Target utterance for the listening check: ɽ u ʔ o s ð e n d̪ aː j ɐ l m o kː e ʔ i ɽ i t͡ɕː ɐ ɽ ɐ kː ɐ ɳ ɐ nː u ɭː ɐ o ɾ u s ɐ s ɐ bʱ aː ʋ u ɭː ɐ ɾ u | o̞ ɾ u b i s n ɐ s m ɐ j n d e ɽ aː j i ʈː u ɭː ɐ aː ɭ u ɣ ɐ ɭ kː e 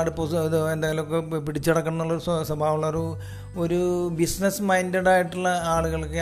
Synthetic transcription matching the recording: ɽ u p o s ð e n d̪ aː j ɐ l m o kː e p i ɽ i t͡ɕː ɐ ɽ ɐ kː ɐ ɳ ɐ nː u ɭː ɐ o ɾ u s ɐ s ɐ bʱ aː ʋ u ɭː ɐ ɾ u | o̞ ɾ u b i s n ɐ s m ɐ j n d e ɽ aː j i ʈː u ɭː ɐ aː ɭ u ɣ ɐ ɭ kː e